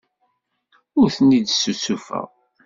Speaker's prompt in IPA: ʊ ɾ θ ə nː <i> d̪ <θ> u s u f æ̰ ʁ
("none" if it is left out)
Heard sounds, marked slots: i, s

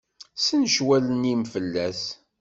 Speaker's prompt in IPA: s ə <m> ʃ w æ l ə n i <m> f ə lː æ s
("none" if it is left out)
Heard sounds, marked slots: n, m

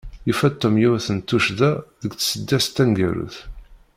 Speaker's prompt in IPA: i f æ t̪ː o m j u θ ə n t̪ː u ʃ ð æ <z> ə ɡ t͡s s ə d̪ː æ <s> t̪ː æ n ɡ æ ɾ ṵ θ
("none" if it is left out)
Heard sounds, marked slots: ð, s

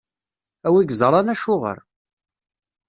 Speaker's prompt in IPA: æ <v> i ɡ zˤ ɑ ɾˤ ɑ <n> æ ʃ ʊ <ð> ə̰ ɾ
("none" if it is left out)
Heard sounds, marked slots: w, n, ʁ

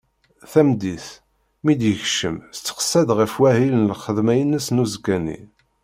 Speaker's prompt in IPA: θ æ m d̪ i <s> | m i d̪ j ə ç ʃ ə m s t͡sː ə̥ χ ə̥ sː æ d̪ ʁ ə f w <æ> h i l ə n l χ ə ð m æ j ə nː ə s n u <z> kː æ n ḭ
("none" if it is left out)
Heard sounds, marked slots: θ, æ, z

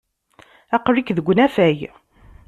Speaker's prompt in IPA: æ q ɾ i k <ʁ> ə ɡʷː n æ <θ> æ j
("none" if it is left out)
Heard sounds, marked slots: ð, f

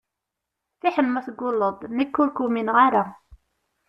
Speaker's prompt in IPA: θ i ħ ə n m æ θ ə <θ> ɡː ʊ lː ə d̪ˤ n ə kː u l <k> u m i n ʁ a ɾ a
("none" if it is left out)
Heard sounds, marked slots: none, k

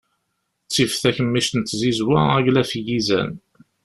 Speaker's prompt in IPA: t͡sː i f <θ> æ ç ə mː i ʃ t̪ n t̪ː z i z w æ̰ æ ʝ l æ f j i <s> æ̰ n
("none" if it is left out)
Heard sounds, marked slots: θ, z

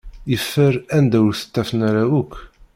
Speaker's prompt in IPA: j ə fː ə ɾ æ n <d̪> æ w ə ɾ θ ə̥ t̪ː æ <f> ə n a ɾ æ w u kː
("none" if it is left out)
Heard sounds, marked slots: d̪, f

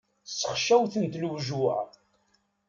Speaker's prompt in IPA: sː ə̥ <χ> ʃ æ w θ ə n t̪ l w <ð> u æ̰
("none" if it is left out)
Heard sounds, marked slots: χ, ʒ

